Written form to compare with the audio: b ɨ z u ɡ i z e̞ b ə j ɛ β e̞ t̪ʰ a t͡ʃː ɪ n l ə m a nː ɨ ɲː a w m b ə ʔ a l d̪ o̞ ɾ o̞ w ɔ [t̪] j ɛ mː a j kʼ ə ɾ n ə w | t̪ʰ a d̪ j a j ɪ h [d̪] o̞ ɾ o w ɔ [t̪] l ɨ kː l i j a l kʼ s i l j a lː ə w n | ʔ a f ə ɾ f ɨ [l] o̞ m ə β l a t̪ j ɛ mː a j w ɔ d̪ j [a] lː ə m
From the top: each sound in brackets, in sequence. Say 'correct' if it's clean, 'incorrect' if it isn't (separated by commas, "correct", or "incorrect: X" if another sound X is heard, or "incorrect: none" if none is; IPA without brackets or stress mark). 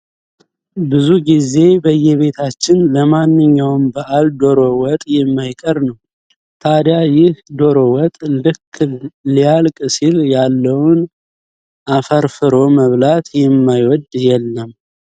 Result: incorrect: t̪ʼ, correct, incorrect: t̪ʼ, incorrect: ɾ, incorrect: ɛ